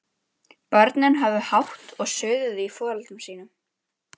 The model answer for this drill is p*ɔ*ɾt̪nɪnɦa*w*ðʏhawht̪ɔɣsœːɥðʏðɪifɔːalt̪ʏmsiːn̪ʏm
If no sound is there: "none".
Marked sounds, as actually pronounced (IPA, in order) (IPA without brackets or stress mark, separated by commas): ɔ, v